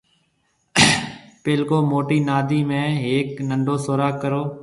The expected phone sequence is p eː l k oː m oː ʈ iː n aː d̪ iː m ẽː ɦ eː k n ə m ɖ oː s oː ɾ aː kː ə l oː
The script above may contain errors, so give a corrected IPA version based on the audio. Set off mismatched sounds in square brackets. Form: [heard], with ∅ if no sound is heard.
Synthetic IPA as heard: p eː l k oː m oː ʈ iː n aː d̪ iː m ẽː ɦ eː k n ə [ɳ] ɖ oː s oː ɾ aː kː ə [ɾ] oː